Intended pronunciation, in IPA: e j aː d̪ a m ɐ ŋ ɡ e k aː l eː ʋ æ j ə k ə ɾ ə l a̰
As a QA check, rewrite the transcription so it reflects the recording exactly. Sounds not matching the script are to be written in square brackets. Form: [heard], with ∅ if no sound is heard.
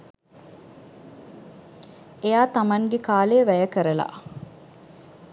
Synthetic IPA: e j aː [t̪] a m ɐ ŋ ɡ e k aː l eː ʋ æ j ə k ə ɾ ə l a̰